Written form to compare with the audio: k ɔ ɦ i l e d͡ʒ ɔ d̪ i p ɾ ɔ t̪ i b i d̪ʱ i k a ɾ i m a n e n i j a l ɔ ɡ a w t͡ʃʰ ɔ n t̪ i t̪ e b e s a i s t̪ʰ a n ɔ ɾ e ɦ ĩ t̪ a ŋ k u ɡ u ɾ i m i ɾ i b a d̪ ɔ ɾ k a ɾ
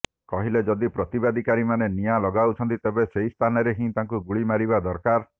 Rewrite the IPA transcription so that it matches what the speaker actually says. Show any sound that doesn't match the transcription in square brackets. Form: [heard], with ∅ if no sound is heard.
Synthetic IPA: k ɔ ɦ i l e d͡ʒ ɔ d̪ i p ɾ ɔ t̪ i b [a] d̪ʱ i k a ɾ i m a n e n i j a l ɔ ɡ a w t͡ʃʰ ɔ n t̪ i t̪ e b e s [e] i s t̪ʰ a n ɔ ɾ e ɦ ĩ t̪ a ŋ k u ɡ u [ɭ] i m [a] ɾ i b a d̪ ɔ ɾ k a ɾ